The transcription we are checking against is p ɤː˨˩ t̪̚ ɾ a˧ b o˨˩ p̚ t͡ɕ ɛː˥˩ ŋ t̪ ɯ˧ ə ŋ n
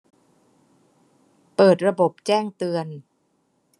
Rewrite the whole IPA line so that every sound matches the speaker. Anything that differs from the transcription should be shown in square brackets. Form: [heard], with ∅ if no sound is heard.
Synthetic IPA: p ɤː˨˩ t̪̚ ɾ a˧ b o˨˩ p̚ t͡ɕ ɛː˥˩ ŋ t̪ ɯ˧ ə [∅] n